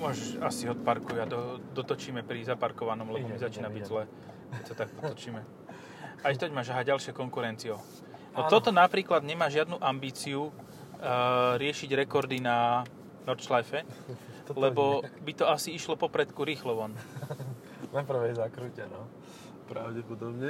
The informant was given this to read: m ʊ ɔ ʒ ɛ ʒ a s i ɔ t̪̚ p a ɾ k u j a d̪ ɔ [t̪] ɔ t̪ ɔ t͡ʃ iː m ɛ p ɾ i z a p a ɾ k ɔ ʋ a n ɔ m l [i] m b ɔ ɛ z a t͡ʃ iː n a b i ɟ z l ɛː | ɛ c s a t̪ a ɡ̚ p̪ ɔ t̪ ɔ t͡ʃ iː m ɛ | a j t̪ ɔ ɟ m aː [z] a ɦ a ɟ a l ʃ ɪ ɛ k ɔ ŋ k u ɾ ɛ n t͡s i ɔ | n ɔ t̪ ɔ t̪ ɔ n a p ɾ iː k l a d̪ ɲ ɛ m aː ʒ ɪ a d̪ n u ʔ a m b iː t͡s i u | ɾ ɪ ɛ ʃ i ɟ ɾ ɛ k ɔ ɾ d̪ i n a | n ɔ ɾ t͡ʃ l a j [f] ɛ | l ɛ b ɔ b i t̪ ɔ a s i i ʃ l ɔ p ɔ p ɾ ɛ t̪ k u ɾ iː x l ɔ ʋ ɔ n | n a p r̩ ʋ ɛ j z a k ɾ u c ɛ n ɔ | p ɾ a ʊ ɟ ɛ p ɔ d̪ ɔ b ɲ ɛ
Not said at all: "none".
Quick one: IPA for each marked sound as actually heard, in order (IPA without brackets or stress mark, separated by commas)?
d̪, ɛ, ʒ, f